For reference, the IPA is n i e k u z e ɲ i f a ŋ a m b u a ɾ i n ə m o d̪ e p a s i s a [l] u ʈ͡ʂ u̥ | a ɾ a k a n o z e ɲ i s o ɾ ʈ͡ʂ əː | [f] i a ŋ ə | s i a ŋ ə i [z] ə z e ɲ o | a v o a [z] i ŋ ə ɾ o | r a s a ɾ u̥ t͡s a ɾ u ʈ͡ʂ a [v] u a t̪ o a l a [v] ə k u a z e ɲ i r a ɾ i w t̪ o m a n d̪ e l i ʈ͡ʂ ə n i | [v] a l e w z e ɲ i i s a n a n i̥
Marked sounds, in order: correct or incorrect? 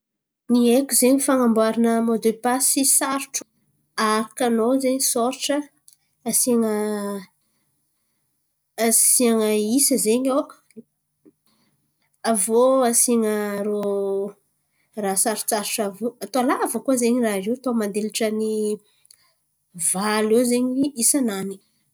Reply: incorrect: ɾ, incorrect: s, incorrect: s, incorrect: s, correct, correct, correct

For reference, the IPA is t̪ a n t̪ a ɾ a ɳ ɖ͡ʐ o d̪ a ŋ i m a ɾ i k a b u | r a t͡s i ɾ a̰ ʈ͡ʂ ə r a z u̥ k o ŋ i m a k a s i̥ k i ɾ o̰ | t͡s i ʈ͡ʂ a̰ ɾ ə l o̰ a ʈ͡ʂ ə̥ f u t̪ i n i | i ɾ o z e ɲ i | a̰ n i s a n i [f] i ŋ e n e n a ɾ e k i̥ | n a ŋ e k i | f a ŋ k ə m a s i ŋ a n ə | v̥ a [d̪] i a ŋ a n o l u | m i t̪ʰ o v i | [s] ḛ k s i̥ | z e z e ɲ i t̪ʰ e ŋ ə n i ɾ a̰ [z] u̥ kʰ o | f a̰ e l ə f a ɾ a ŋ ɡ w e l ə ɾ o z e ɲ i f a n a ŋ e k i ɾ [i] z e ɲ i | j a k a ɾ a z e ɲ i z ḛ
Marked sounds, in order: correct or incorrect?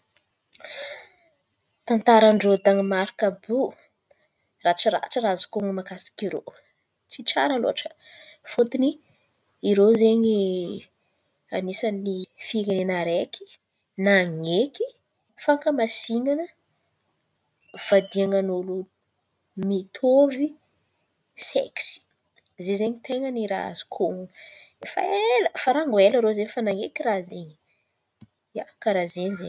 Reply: correct, correct, correct, correct, incorrect: a

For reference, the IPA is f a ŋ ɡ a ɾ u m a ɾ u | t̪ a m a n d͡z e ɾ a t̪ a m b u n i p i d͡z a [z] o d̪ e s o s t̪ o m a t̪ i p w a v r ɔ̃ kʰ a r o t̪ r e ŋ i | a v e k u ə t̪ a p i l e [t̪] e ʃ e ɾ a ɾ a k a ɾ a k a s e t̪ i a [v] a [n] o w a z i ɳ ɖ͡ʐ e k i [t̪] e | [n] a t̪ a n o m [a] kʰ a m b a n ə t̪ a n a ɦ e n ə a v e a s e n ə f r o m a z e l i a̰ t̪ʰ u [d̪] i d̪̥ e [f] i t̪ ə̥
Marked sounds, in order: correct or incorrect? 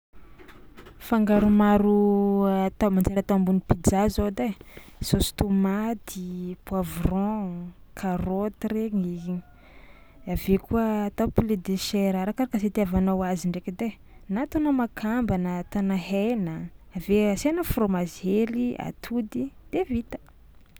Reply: correct, incorrect: d̪, correct, correct, incorrect: d̪, correct, correct, correct, incorrect: v

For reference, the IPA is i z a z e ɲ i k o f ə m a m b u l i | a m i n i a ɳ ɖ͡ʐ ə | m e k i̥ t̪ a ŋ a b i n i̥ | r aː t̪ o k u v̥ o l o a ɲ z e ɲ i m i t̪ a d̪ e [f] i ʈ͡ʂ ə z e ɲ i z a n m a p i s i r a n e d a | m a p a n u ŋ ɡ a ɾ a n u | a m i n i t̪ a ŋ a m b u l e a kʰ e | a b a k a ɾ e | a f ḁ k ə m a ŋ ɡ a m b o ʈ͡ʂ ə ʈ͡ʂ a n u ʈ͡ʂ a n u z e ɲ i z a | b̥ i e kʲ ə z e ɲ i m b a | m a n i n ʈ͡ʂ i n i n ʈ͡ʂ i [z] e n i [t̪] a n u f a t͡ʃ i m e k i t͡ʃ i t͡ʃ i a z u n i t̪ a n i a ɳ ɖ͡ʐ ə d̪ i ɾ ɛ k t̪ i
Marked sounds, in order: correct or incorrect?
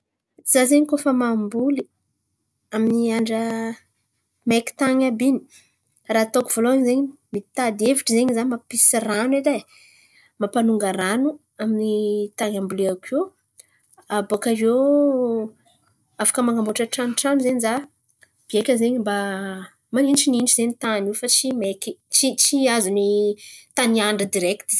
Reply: incorrect: v, correct, correct

